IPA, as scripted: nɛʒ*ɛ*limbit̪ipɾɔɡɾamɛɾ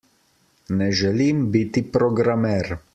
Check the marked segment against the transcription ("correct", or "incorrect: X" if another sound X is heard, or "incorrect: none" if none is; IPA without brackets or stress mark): correct